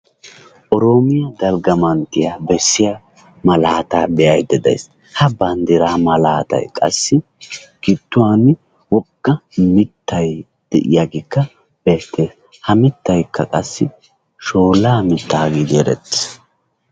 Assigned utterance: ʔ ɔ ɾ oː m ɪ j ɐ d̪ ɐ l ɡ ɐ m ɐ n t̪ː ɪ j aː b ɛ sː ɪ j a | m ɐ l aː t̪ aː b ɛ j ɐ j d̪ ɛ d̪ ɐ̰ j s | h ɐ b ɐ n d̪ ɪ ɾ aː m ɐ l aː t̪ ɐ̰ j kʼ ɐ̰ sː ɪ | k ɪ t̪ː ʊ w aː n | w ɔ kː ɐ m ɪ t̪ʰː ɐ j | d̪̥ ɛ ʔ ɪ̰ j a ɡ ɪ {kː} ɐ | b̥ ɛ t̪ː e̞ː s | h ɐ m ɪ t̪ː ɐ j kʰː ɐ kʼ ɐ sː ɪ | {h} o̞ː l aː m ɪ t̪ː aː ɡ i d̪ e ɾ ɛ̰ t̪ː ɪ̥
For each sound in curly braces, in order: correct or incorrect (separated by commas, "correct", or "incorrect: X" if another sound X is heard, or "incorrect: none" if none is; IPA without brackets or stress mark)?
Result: correct, incorrect: ʃ